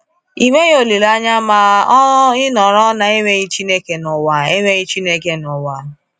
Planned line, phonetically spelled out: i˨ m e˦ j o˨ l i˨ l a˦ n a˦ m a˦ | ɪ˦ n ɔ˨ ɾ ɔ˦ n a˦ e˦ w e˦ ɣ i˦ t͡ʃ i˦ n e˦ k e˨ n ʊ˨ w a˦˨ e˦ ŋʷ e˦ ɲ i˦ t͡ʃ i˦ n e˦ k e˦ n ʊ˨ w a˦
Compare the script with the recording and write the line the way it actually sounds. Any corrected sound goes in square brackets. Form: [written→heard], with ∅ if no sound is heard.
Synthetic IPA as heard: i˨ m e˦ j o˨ l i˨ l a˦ [n→ɲ] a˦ m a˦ | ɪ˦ n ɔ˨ ɾ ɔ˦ n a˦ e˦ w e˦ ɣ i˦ t͡ʃ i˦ n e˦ k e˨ n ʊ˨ w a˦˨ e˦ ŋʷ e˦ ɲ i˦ t͡ʃ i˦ n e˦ k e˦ n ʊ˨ w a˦